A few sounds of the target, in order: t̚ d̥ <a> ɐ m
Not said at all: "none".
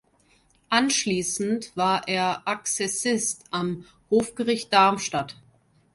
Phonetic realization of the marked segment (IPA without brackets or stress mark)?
a